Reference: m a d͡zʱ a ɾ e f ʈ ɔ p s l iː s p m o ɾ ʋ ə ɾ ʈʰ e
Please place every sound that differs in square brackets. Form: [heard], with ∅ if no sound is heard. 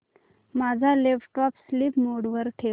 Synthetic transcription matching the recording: m a d͡zʱ a [l] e f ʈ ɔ p s l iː [∅] p m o [ɽ] ʋ ə ɾ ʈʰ e